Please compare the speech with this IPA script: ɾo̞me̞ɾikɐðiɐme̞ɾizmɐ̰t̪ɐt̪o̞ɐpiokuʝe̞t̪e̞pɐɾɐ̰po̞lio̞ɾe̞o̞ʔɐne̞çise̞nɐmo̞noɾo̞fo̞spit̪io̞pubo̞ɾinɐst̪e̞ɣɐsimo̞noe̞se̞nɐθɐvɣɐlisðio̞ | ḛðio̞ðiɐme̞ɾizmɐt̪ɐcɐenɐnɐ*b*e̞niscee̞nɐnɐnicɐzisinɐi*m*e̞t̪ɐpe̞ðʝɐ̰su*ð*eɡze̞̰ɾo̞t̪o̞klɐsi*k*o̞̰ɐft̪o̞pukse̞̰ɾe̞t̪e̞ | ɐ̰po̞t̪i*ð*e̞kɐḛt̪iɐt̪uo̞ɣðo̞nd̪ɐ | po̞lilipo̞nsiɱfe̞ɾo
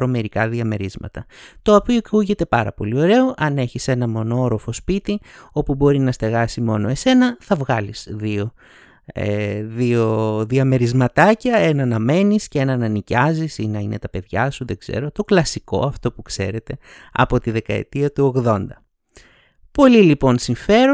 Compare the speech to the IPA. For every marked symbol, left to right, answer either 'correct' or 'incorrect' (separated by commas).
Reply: incorrect, incorrect, correct, correct, correct